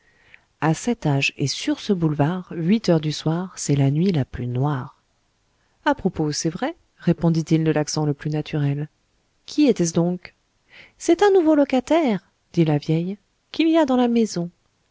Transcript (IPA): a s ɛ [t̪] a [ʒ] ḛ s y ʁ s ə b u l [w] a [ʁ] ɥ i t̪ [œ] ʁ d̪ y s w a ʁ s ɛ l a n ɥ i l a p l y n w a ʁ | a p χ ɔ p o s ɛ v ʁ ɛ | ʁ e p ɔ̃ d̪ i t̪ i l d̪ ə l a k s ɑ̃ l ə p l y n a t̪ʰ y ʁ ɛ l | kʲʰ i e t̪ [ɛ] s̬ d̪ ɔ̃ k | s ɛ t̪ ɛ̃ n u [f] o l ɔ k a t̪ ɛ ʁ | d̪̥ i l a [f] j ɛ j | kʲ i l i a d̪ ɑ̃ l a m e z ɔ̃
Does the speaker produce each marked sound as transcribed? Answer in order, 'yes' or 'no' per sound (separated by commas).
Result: yes, yes, no, yes, yes, yes, no, no